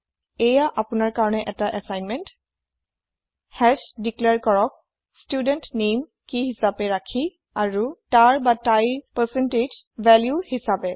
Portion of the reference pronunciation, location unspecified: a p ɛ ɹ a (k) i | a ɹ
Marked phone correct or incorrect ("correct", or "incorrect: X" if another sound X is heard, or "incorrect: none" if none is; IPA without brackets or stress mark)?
incorrect: kʰ